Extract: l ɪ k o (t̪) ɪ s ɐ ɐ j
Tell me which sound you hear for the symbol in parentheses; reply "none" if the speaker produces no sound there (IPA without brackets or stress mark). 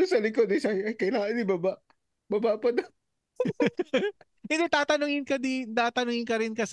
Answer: d̪